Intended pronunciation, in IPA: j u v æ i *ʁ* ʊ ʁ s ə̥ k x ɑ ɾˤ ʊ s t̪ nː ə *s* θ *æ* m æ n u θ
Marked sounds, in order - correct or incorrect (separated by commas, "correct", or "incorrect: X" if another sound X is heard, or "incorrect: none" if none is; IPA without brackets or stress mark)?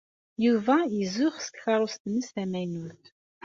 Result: incorrect: z, correct, correct